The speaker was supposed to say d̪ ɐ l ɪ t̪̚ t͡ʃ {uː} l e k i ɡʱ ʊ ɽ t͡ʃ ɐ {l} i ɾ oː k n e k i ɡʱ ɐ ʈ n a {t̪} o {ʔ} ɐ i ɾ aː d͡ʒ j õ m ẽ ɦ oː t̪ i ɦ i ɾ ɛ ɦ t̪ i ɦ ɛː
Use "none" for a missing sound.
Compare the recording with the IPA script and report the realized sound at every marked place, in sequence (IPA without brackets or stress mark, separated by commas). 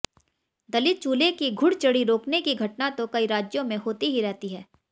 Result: uː, ɽ, t̪, k